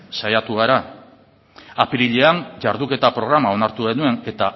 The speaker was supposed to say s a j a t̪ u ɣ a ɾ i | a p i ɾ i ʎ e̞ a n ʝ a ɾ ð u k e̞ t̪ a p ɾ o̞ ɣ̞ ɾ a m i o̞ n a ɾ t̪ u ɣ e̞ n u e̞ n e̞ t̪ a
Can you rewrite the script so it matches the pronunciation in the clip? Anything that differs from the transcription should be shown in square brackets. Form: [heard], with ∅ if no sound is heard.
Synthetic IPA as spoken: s a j a t̪ u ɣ a ɾ [a] | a p i ɾ i ʎ e̞ a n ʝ a ɾ ð u k e̞ t̪ a p ɾ o̞ ɣ̞ ɾ a m [a] o̞ n a ɾ t̪ u ɣ e̞ n u e̞ n e̞ t̪ a